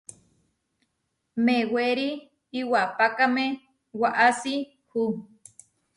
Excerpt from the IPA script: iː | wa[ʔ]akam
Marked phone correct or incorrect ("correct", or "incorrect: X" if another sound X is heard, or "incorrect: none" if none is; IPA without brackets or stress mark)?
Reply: incorrect: p